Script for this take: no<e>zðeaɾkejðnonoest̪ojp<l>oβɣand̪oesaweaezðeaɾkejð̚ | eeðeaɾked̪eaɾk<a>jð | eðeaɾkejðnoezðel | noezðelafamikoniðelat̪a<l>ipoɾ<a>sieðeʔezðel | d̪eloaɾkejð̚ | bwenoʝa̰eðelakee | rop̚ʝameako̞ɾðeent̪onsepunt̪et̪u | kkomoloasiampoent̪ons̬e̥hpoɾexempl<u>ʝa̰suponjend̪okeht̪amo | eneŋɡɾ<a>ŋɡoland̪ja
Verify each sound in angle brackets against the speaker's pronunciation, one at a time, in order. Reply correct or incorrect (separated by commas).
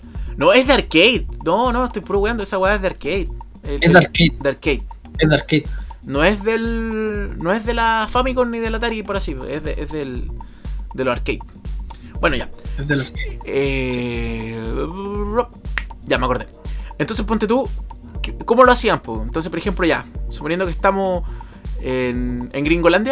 correct, incorrect, incorrect, incorrect, correct, incorrect, incorrect